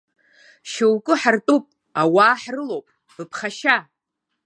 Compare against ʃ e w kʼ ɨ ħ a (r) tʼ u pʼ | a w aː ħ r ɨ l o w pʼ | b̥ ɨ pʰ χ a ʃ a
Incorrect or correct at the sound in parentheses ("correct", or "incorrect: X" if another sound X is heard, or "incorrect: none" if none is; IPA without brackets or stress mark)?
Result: correct